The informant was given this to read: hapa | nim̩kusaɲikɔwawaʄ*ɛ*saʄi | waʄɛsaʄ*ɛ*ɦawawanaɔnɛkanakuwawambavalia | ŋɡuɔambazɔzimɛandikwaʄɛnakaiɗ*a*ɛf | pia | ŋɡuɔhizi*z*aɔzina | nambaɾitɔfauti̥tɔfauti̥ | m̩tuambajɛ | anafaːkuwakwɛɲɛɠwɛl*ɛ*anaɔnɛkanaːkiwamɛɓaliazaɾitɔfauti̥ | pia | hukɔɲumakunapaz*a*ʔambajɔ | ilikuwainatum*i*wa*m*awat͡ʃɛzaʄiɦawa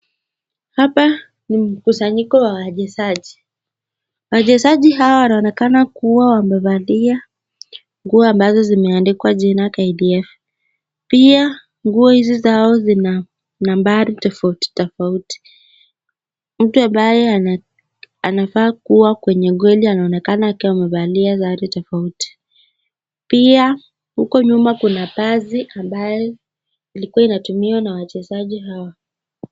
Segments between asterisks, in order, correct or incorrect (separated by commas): correct, incorrect, incorrect, correct, incorrect, incorrect, correct, incorrect